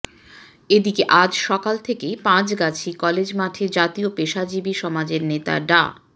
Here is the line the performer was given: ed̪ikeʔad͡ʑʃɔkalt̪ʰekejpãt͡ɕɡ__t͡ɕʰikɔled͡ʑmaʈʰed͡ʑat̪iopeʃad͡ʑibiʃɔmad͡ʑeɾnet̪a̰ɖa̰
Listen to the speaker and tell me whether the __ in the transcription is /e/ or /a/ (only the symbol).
a